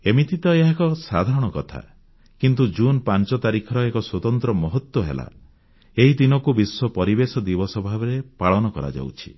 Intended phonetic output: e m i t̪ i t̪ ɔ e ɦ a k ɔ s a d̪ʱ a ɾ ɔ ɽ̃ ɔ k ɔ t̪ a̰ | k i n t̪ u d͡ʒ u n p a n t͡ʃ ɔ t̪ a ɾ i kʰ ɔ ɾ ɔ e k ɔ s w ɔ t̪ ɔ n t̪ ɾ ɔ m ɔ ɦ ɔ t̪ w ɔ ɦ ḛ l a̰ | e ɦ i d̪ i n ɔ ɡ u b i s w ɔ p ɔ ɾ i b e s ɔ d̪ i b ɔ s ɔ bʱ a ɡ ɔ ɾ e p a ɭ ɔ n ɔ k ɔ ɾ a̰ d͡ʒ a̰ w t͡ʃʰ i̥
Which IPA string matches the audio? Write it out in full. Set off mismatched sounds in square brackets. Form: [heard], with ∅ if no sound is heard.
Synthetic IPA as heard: e m i t̪ i t̪ ɔ e ɦ a k ɔ s a d̪ʱ a ɾ ɔ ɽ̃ ɔ k ɔ [t̪ʰ] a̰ | k i n t̪ u d͡ʒ u n p a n t͡ʃ ɔ t̪ a ɾ i kʰ ɔ ɾ ɔ e k ɔ s w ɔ t̪ ɔ n t̪ ɾ ɔ m ɔ ɦ ɔ t̪ w ɔ ɦ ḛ l a̰ | e ɦ i d̪ i n ɔ [k] u b i s w ɔ p ɔ ɾ i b e s ɔ d̪ i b ɔ s ɔ bʱ a [b] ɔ ɾ e p a ɭ ɔ n ɔ k ɔ ɾ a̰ d͡ʒ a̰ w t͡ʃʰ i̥